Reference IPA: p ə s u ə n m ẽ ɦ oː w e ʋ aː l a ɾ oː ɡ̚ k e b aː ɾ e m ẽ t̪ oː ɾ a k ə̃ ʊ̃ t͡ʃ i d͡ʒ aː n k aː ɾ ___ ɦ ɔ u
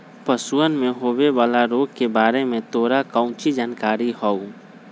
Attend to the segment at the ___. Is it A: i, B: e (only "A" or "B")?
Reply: A